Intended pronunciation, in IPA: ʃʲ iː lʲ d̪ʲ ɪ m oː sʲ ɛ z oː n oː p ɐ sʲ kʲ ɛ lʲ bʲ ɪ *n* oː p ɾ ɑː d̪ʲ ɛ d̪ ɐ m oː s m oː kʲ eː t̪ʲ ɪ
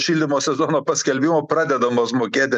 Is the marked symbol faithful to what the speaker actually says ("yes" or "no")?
no